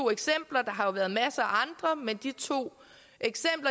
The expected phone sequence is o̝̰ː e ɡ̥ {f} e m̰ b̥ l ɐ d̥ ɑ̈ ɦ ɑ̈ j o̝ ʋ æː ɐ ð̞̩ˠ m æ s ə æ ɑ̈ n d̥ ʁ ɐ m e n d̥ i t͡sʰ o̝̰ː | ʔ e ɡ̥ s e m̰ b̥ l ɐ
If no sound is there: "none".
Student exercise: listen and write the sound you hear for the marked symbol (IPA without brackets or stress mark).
s